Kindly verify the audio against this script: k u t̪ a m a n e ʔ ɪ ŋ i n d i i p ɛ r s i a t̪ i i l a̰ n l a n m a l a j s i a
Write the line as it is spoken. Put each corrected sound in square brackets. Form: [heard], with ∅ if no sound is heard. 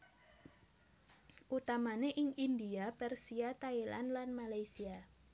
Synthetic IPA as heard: [ʔ] u t̪ a m a n e ʔ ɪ ŋ i n d i [a] p ɛ r s i a t̪ [a] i l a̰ n l a n m a l a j s i a